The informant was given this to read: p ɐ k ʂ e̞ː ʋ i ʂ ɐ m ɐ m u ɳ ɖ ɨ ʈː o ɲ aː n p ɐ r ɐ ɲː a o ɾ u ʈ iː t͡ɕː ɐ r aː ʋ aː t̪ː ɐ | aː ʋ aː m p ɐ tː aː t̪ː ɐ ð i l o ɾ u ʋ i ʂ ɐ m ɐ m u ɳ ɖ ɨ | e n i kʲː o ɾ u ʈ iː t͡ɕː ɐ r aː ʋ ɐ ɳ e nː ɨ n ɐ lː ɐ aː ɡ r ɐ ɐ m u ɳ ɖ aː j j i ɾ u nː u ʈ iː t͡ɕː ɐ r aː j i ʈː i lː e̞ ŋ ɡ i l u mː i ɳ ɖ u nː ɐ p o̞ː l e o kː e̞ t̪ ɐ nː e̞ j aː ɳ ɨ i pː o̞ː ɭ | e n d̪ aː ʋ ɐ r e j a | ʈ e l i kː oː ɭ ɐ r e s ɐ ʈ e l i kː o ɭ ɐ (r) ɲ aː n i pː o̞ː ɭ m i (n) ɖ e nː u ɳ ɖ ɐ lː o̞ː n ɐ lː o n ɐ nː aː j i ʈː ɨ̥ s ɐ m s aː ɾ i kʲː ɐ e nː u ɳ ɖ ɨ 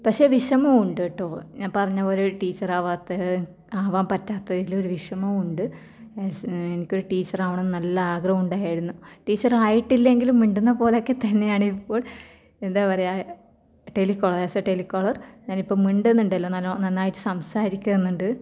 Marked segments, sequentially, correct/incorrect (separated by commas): correct, incorrect